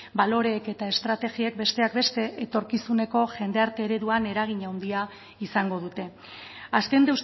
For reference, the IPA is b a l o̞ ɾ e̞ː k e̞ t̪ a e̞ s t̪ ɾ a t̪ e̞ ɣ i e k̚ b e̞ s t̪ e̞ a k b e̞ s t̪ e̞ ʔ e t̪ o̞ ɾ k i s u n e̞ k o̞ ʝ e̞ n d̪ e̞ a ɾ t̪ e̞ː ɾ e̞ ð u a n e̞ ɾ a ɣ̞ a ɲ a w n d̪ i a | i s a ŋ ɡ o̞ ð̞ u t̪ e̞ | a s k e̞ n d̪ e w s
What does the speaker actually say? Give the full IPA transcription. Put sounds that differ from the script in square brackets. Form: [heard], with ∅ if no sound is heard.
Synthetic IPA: b a l o̞ ɾ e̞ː k e̞ t̪ a e̞ s t̪ ɾ a t̪ e̞ ɣ i e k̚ b e̞ s t̪ e̞ a k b e̞ s t̪ e̞ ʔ e t̪ o̞ ɾ k i s u n e̞ k o̞ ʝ e̞ n d̪ e̞ a ɾ t̪ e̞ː ɾ e̞ ð u a n e̞ ɾ a ɣ̞ [i] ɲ a w n d̪ i a | i s a ŋ ɡ o̞ ð̞ u t̪ e̞ | a s k e̞ n d̪ e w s